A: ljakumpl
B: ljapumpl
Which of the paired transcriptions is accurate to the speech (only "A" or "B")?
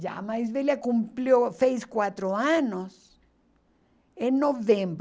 A